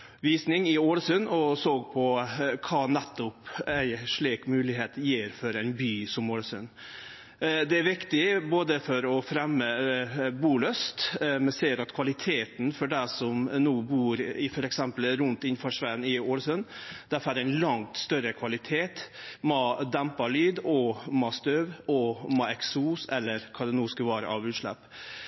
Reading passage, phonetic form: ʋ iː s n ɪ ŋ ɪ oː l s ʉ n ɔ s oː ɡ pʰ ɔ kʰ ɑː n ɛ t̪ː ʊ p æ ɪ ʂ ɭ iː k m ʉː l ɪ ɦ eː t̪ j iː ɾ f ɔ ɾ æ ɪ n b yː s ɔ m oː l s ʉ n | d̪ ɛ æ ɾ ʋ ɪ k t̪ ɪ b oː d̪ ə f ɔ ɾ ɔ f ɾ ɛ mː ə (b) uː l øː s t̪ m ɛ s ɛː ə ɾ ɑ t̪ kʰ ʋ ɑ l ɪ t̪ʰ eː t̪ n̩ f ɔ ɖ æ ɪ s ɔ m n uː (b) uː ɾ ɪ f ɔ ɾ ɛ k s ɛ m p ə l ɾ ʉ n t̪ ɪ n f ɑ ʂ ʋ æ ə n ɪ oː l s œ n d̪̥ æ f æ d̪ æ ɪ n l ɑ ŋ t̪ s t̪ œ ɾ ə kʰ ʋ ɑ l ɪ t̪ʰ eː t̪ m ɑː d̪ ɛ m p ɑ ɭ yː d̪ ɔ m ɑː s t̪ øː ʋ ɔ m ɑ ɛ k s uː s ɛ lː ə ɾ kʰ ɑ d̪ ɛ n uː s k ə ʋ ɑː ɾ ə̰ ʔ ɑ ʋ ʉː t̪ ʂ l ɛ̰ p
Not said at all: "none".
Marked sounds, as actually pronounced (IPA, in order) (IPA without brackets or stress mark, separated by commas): b, b